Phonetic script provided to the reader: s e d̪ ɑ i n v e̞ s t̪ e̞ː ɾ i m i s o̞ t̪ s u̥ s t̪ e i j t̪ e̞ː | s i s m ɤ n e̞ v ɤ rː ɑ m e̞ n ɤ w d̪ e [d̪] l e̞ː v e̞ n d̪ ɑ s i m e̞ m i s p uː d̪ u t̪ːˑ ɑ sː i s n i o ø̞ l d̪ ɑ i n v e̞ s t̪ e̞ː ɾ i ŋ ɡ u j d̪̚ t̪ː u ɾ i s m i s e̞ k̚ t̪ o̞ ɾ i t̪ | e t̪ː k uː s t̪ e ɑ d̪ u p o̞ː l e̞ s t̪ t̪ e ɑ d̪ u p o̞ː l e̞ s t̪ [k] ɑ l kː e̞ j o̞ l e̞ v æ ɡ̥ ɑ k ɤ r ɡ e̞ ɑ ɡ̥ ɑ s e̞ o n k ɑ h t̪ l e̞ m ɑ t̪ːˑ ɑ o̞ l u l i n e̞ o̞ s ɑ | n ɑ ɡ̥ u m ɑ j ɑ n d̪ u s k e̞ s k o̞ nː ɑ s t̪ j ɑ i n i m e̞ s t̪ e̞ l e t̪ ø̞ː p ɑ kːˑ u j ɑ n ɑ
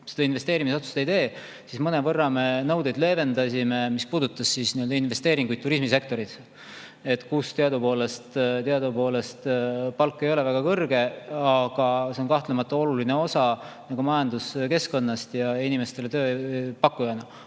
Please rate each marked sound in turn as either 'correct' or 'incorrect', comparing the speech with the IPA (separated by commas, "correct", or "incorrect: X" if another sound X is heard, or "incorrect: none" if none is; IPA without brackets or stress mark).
correct, incorrect: p